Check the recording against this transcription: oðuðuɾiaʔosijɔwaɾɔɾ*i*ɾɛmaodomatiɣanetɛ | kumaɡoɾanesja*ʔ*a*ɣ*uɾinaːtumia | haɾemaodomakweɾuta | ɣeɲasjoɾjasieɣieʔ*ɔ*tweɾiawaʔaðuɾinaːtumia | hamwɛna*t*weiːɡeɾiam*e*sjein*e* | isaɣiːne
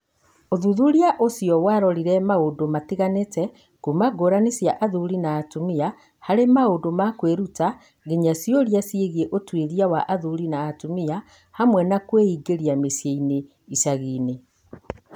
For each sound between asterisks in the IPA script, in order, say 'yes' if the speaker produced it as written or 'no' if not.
yes, yes, no, no, no, yes, yes

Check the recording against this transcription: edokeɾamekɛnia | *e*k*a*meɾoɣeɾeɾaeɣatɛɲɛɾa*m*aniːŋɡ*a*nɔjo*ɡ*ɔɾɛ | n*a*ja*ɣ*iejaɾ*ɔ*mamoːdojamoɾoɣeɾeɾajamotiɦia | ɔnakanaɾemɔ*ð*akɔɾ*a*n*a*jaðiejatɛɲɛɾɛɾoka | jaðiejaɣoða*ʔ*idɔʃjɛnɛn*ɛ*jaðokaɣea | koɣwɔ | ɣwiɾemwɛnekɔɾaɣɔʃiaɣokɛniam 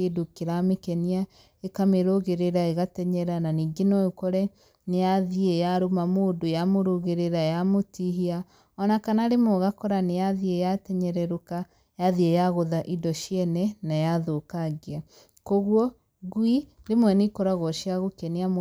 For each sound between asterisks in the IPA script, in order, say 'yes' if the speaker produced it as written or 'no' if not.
yes, yes, no, no, no, no, no, no, no, yes, no, yes, no

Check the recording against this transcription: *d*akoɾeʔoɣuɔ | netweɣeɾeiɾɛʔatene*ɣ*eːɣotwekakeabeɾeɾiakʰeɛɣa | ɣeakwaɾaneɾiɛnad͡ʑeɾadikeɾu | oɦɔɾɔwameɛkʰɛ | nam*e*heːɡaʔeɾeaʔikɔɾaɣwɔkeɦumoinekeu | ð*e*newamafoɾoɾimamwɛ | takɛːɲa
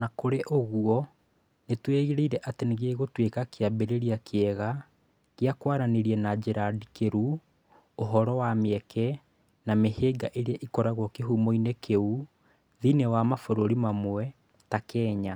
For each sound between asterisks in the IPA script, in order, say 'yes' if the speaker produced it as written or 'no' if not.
no, yes, yes, no

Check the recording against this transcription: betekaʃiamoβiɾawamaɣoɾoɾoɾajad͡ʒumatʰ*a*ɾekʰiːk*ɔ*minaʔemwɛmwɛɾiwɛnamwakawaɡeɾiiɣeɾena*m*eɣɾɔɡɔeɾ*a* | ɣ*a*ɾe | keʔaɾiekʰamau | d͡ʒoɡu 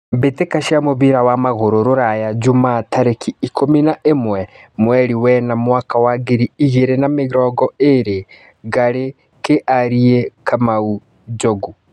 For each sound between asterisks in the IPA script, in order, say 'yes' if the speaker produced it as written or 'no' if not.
yes, no, yes, no, yes

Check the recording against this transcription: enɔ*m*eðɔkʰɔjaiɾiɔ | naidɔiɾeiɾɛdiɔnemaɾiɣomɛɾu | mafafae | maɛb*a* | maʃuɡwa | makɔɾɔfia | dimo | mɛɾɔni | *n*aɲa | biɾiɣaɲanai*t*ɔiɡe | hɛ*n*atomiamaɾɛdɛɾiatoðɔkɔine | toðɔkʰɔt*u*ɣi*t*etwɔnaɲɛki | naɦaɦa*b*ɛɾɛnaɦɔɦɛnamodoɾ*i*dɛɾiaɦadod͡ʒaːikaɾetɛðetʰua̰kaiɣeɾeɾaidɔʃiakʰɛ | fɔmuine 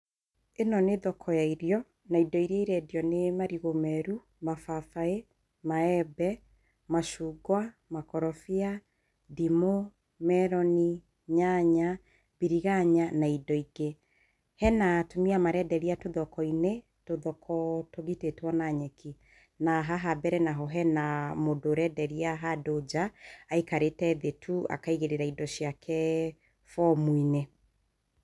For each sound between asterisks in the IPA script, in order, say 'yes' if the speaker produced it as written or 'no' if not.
no, no, no, no, yes, no, yes, yes, no

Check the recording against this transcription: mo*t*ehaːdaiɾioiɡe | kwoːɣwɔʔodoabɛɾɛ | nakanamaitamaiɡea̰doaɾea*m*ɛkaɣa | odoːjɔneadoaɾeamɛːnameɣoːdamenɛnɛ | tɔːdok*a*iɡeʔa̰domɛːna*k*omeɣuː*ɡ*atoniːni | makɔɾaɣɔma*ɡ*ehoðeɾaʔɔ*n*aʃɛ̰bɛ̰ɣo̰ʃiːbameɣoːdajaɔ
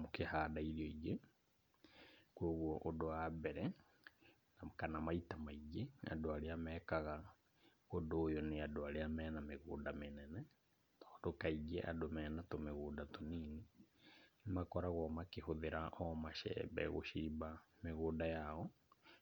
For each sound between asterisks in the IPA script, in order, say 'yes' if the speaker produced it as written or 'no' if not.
no, yes, yes, no, no, no, no

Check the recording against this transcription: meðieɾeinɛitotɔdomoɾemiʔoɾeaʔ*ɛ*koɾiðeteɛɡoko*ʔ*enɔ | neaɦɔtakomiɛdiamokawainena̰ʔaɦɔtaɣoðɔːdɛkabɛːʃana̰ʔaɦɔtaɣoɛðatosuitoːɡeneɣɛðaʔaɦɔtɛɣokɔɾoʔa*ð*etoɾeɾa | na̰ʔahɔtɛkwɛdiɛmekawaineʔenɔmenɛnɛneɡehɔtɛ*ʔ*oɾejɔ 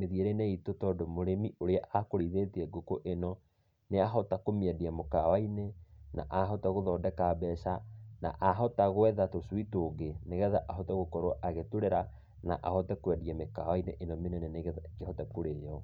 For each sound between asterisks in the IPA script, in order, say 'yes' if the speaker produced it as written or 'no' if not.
no, yes, no, no

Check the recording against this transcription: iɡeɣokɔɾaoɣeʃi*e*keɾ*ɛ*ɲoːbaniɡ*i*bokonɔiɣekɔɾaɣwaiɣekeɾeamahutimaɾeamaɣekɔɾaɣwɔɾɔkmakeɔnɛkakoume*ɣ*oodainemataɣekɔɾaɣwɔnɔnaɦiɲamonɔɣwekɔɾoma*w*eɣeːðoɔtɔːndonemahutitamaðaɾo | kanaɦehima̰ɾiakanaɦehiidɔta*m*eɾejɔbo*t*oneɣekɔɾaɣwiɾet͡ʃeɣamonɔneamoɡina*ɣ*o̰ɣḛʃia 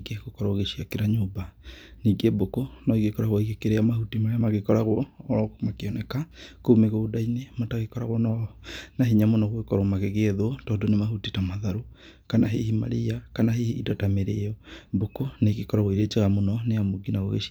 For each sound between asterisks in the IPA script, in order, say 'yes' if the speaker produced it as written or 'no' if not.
no, no, no, yes, no, yes, no, yes

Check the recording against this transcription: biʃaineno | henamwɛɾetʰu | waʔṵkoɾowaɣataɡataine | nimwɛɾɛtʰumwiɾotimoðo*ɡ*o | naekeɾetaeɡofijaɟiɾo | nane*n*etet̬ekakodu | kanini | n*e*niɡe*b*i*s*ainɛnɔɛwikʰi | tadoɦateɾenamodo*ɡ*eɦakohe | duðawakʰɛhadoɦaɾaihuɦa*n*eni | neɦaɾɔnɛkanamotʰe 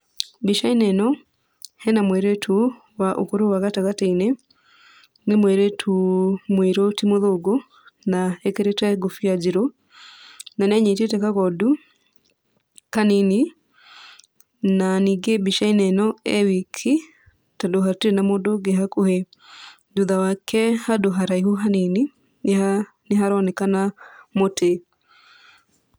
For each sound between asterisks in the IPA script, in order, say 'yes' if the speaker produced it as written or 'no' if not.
yes, no, no, yes, no, yes, yes

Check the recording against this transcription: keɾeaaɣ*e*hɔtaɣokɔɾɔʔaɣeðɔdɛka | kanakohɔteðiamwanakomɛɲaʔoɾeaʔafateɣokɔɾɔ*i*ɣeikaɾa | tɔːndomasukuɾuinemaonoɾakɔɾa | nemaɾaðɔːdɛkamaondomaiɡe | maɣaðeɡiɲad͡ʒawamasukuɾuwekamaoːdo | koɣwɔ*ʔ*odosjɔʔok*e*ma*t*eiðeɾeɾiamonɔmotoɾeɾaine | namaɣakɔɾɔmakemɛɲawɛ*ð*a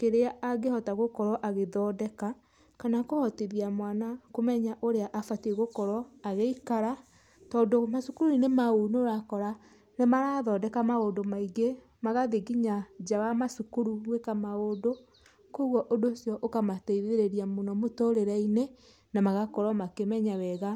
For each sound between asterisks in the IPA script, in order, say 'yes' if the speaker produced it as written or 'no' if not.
yes, no, yes, no, yes, no

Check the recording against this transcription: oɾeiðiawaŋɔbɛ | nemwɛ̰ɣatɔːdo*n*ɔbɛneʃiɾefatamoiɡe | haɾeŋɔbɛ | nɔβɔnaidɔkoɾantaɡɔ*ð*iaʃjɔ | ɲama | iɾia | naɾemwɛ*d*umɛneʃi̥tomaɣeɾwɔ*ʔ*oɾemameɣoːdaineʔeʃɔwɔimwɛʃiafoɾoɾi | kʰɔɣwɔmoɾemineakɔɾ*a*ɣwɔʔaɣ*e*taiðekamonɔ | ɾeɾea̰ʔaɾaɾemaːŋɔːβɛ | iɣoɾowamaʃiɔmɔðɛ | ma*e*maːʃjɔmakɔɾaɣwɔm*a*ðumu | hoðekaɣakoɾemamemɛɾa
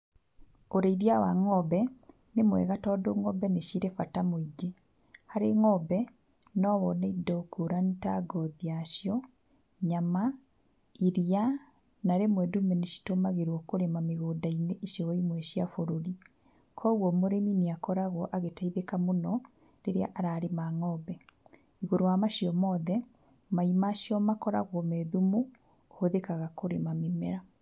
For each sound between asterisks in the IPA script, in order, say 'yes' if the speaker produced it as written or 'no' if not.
no, yes, yes, no, yes, yes, no, no

